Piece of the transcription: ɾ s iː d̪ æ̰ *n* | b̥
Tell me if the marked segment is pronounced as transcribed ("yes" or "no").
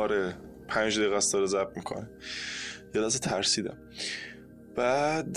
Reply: no